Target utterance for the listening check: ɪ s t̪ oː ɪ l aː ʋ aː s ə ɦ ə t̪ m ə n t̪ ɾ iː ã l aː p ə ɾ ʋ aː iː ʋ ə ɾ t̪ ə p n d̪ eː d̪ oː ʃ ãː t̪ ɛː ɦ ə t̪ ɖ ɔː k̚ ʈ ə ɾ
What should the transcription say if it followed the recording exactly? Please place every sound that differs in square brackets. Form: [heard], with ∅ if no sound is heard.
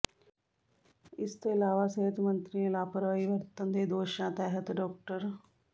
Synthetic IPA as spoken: ɪ s t̪ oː ɪ l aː ʋ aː s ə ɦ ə t̪ m ə n t̪ ɾ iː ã l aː p ə ɾ ʋ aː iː ʋ ə ɾ t̪ ə [∅] n d̪ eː d̪ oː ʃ ãː t̪ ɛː ɦ ə t̪ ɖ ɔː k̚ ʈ ə ɾ